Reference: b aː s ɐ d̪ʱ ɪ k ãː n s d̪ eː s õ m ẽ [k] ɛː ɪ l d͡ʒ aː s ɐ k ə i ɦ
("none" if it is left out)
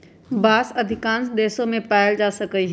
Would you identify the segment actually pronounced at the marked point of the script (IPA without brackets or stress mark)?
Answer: p